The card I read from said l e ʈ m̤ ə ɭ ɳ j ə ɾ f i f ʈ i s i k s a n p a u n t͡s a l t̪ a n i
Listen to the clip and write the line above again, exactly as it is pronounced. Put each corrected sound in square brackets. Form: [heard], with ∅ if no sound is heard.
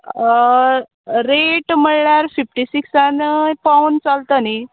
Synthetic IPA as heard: [ɾ] e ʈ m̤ ə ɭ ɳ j [a] ɾ f i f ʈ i s i k s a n p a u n t͡s a l t̪ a n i